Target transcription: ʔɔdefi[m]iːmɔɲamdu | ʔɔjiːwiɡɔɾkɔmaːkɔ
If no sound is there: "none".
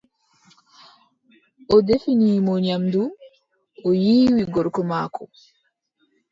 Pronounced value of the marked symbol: n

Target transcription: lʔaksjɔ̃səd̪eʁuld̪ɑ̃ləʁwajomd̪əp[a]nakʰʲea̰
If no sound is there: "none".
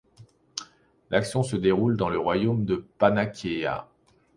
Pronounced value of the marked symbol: a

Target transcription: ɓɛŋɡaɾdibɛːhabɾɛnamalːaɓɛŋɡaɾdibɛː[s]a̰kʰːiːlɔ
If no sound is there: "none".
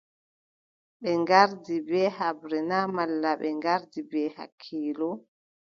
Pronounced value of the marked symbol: h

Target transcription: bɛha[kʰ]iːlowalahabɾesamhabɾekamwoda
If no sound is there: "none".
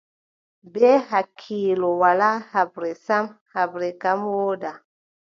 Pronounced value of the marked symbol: kʰ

